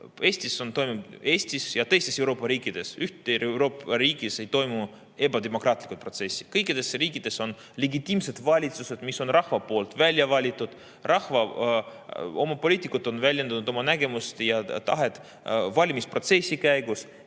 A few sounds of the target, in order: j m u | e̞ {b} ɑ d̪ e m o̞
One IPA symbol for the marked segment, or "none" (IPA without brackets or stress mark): b